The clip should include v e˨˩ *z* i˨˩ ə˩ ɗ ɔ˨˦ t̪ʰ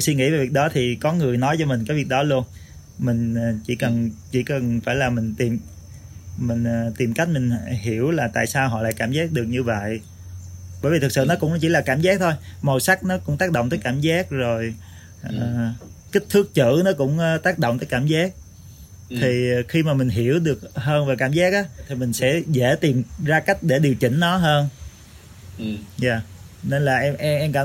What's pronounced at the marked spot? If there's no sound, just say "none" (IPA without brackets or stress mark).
v